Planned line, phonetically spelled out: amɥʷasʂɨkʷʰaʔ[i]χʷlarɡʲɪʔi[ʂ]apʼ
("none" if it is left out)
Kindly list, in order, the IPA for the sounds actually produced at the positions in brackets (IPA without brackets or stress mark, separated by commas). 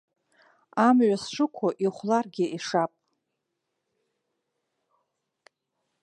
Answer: i, ʂ